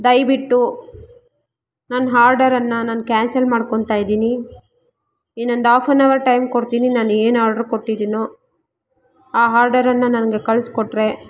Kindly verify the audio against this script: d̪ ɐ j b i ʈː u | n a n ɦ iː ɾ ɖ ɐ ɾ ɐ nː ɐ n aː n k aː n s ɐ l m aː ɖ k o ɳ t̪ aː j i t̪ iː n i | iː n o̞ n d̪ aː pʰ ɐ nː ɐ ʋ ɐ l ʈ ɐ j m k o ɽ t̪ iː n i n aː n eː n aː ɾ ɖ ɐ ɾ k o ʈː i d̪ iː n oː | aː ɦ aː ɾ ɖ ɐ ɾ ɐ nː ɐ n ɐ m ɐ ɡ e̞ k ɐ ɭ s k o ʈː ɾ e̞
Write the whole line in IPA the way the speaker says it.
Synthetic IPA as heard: d̪ ɐ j b i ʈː u | n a n ɦ aː ɾ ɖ ɐ ɾ ɐ nː ɐ n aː n k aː n s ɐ l m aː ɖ k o ɳ t̪ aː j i d̪ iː n i | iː n o̞ n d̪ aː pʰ ɐ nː ɐ ʋ ɐ ɾ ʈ ɐ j m k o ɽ t̪ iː n i n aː n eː n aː ɾ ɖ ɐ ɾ k o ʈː i d̪ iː n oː | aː ɦ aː ɾ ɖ ɐ ɾ ɐ nː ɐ n ɐ n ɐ ɡ e̞ k ɐ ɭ s k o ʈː ɾ e̞